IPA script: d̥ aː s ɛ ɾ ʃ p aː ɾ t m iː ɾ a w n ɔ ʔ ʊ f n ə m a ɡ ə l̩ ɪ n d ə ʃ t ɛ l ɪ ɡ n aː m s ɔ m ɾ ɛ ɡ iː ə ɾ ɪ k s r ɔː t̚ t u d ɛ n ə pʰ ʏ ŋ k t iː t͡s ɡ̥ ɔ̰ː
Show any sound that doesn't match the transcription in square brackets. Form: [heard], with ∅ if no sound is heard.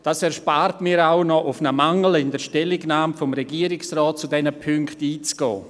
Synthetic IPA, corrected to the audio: d̥ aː s ɛ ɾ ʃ p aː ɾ t m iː ɾ a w n ɔ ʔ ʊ f n ə m a [ŋ] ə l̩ ɪ n d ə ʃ t ɛ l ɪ ɡ n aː m [f] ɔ m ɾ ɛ ɡ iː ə ɾ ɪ k s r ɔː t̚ [t͡s] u d ɛ n ə pʰ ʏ ŋ k t iː t͡s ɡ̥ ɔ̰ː